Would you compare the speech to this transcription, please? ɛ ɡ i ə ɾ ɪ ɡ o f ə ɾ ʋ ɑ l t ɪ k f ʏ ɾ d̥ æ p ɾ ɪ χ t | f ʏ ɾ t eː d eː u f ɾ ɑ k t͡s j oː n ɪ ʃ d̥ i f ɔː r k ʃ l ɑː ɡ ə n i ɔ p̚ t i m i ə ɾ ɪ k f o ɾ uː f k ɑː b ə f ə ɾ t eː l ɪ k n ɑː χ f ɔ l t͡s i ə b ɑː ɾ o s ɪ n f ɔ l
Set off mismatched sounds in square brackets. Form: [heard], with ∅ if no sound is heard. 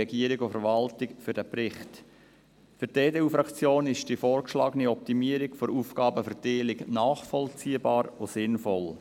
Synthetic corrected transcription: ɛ ɡ i ə ɾ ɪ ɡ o f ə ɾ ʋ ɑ l t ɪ k f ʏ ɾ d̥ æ p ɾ ɪ χ t | f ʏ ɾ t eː d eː u f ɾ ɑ k t͡s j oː n ɪ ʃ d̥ i f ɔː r k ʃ l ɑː ɡ ə n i ɔ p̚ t i m i ə ɾ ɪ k f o ɾ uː f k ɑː b ə f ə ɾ t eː l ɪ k n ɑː χ f ɔ l t͡s i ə b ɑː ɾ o s ɪ n f ɔ l